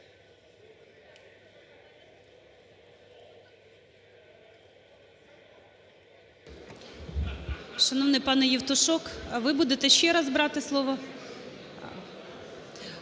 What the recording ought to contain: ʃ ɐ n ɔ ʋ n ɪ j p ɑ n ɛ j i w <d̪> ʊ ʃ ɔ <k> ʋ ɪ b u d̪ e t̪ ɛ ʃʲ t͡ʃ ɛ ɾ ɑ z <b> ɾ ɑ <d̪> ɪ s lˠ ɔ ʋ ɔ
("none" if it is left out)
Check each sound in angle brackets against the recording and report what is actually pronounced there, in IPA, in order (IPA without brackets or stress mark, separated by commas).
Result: t̪, k, b, t̪